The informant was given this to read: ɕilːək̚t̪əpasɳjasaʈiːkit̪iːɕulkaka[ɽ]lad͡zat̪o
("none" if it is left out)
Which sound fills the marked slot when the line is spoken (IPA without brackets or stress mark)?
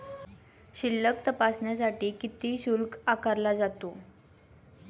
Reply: ɾ